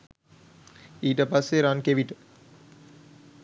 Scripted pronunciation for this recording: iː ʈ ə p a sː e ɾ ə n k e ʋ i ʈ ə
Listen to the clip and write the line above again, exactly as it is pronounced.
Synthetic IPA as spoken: iː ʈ ə p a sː e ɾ a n k e ʋ i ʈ ə